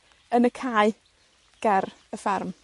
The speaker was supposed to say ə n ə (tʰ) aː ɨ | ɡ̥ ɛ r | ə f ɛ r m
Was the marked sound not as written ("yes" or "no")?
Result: yes